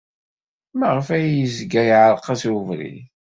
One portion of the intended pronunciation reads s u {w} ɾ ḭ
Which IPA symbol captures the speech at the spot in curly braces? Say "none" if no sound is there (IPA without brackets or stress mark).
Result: v